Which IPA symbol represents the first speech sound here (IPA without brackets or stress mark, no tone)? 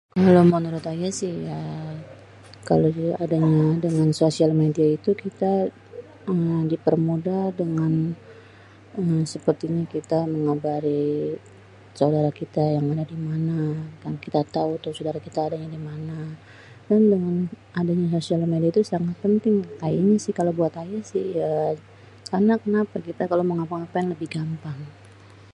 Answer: k